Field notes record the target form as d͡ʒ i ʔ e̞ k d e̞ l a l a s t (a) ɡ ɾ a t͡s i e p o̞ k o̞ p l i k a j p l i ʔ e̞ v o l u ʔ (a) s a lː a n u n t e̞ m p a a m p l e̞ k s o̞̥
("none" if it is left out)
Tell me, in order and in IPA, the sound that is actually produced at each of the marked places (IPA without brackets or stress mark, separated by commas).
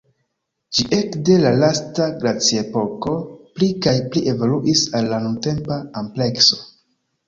a, i